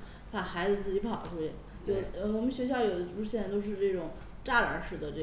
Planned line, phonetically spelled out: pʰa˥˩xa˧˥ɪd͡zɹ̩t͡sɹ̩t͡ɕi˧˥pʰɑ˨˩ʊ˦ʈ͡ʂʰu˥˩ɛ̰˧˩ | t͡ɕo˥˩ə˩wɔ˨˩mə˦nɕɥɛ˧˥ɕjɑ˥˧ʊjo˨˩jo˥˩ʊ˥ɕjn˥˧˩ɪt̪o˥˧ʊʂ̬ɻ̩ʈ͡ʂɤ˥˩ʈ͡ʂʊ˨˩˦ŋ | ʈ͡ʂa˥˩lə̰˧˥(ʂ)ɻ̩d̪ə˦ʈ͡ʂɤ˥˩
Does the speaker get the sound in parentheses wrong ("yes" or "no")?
no